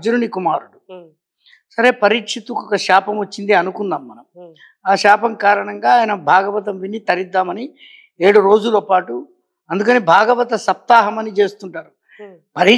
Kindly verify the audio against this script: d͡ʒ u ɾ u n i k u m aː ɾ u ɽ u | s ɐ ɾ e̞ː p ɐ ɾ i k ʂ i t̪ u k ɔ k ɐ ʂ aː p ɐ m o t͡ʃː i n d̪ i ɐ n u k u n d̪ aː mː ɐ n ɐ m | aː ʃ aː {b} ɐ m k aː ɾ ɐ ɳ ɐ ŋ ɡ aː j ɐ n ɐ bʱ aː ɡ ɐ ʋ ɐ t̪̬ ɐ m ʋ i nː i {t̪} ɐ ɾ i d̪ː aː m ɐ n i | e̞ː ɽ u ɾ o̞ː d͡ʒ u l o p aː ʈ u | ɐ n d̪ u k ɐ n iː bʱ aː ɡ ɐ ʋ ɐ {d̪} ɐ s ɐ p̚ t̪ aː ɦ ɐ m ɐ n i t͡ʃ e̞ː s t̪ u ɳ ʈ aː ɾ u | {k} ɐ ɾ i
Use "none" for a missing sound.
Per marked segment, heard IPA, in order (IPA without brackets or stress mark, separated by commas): p, t̪, t̪, p